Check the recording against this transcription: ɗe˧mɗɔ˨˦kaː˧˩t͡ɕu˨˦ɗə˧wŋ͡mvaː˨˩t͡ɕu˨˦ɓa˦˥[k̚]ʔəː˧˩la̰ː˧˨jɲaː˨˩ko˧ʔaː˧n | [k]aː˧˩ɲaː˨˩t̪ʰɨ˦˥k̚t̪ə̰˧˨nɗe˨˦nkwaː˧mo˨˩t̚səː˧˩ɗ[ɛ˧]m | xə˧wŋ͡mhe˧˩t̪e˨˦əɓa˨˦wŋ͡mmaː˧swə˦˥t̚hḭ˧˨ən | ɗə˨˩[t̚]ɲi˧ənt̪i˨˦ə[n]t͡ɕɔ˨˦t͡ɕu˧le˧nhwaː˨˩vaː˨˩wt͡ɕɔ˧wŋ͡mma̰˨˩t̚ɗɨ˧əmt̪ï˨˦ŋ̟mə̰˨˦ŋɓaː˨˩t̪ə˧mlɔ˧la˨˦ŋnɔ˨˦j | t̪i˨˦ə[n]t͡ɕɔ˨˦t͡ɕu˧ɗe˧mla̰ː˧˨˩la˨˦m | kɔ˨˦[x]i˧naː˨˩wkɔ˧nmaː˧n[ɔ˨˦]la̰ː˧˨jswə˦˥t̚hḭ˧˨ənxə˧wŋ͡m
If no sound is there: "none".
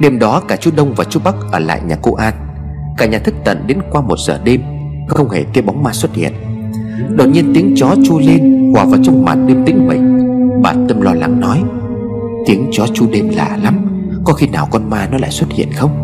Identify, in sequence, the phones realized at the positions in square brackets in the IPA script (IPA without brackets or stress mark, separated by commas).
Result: k̚, k, e˧, t̚, ŋ, ŋ, x, ɔ˨˦